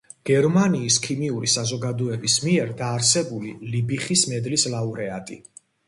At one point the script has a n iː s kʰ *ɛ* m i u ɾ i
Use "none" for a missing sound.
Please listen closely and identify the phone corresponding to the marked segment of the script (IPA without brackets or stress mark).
i